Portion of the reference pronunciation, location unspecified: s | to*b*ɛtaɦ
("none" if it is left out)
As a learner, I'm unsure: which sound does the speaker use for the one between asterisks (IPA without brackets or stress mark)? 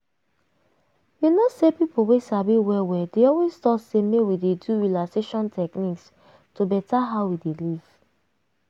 b